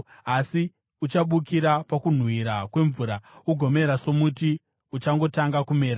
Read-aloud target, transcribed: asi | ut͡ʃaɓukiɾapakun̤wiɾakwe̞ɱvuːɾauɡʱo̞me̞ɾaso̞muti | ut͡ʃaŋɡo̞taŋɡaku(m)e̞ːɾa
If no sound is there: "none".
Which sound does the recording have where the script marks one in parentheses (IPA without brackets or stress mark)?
m